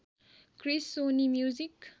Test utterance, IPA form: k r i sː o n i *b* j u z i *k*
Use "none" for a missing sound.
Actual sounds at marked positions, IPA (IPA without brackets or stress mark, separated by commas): m, k